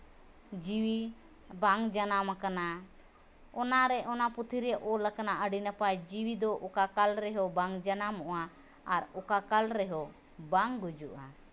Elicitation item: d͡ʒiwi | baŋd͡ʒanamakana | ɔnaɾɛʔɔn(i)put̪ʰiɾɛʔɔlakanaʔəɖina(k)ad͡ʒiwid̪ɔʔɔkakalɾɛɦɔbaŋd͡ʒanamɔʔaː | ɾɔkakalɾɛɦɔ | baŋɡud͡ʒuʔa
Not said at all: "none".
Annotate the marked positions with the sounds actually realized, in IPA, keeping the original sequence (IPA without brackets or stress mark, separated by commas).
a, p